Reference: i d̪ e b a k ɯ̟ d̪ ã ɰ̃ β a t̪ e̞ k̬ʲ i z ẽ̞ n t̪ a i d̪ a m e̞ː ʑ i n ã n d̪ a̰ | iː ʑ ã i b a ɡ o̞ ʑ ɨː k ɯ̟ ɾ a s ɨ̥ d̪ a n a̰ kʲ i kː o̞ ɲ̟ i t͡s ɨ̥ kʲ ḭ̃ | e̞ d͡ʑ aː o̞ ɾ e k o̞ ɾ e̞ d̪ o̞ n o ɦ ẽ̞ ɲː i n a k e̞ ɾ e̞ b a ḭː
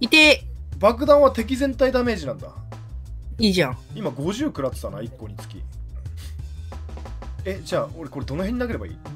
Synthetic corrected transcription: i t̪ e b a k ɯ̟ d̪ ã ɰ̃ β a t̪ e̞ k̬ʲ i z ẽ̞ n t̪ a i d̪ a m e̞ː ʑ i n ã n d̪ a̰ | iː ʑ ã i m a ɡ o̞ ʑ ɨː k ɯ̟ ɾ a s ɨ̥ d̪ a n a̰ i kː o̞ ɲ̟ i t͡s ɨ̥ kʲ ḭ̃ | e̞ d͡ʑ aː o̞ ɾ e k o̞ ɾ e̞ d̪ o̞ n o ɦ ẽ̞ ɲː i n a k e̞ ɾ e̞ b a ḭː